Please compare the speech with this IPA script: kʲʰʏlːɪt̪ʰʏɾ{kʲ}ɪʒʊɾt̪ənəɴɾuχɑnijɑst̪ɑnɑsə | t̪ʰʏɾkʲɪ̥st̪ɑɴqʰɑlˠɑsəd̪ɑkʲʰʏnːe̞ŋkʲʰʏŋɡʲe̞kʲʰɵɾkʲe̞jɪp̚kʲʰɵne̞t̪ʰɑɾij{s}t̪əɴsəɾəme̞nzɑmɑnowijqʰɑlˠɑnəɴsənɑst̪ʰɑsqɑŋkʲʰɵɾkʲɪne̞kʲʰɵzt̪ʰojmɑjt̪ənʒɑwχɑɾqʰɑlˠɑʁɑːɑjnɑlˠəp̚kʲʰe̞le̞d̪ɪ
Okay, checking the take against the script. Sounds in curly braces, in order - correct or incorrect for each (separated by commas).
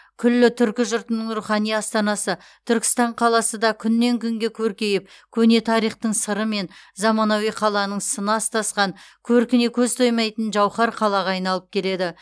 correct, incorrect